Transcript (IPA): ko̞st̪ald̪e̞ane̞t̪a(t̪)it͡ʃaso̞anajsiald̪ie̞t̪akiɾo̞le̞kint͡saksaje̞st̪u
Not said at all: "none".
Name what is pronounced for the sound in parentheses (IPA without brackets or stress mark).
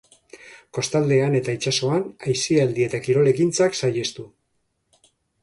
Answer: none